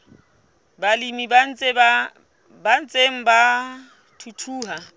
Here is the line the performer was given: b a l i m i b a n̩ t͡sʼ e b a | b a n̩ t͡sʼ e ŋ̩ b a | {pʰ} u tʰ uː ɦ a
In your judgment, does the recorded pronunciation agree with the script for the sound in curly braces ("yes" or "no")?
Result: no